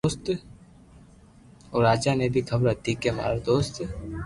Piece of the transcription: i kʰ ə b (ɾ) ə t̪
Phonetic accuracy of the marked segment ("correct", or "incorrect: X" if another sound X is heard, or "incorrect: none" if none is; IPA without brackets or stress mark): correct